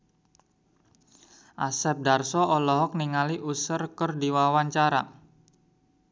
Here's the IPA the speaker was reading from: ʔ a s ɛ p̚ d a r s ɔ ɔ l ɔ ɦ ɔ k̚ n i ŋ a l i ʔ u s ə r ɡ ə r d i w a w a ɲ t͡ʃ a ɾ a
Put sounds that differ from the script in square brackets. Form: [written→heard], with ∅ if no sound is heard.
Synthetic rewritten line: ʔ a s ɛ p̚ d a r s ɔ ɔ l ɔ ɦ ɔ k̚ n i ŋ a l i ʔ u s ə r [ɡ→k] ə r d i w a w a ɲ t͡ʃ a ɾ a